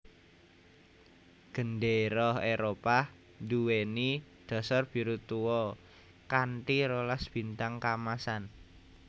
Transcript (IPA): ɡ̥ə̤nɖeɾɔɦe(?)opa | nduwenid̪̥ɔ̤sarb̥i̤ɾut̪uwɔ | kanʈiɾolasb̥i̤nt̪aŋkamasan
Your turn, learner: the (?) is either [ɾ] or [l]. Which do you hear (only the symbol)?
ɾ